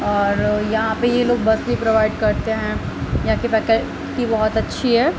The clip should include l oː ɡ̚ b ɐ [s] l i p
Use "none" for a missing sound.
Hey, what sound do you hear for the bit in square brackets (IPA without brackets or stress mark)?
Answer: s